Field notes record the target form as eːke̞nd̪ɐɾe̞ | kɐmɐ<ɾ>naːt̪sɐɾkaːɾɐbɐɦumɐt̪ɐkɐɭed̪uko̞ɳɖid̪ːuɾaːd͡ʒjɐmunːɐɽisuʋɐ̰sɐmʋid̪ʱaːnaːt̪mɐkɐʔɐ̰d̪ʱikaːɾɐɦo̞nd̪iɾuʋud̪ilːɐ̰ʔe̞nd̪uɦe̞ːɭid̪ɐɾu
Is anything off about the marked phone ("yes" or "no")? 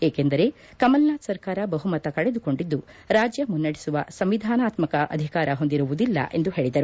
yes